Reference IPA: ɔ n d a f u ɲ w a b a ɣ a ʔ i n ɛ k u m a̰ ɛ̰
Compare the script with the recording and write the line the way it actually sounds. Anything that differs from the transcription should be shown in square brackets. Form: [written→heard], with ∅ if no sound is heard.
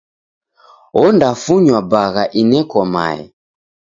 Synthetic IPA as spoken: ɔ n d a f u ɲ w a b a ɣ a ʔ i n ɛ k [u→ɔ] m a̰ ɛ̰